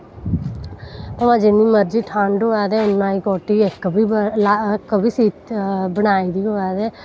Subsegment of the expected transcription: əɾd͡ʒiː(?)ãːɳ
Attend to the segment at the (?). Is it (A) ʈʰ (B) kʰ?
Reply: A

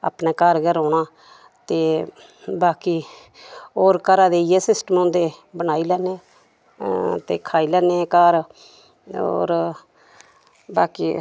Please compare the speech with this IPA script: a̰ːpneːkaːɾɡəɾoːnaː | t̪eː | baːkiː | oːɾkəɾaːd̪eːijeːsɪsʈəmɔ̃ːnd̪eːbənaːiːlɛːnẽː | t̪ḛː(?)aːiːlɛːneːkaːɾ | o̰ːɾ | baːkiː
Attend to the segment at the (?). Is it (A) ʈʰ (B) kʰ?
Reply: B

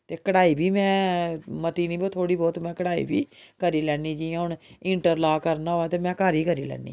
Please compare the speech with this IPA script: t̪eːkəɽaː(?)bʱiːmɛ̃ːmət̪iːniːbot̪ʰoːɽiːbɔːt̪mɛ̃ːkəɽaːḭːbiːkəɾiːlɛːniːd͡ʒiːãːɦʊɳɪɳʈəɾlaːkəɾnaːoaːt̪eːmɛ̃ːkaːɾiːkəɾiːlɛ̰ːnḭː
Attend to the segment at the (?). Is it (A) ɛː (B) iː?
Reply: B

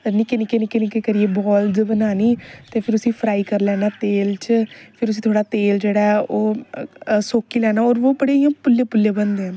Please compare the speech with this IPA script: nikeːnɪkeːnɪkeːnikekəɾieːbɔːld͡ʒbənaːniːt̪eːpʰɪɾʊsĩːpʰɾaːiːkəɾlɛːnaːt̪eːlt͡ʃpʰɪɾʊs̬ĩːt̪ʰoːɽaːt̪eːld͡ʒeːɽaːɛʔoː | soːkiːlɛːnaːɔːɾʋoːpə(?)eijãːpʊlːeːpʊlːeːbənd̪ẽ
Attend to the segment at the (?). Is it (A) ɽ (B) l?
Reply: A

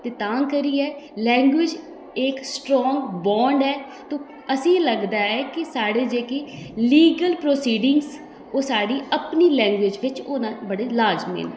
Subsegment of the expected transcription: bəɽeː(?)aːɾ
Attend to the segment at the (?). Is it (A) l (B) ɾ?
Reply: A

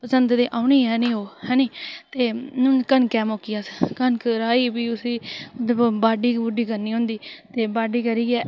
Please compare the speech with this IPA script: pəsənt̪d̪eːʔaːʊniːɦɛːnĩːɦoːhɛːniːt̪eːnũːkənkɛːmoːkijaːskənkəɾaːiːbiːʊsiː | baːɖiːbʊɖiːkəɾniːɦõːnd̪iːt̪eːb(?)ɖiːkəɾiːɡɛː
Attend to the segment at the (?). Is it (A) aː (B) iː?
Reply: A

